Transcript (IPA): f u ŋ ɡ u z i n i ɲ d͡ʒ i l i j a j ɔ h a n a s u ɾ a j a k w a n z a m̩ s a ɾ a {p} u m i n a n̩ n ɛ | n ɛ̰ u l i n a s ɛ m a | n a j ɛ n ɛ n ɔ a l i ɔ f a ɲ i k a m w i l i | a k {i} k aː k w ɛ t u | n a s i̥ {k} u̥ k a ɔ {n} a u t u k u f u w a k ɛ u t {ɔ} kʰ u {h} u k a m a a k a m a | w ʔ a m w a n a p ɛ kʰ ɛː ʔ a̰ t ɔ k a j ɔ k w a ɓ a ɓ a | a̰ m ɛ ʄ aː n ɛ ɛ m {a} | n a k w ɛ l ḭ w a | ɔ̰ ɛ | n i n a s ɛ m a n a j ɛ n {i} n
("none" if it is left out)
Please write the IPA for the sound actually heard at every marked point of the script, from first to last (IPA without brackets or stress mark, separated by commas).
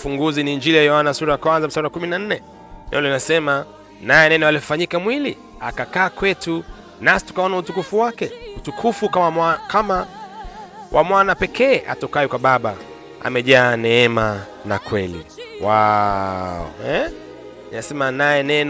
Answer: k, a, t, n, u, f, a, ɛ